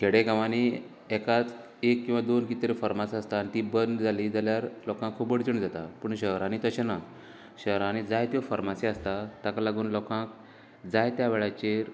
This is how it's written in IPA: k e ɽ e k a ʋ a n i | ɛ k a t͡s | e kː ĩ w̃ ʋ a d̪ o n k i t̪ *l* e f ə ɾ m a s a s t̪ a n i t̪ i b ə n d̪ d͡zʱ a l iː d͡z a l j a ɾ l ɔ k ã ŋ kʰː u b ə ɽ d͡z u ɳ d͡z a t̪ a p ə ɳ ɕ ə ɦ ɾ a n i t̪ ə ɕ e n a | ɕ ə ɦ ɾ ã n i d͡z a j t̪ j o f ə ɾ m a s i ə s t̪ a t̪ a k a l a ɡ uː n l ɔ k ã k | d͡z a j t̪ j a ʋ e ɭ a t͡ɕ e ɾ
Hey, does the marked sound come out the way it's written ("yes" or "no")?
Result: no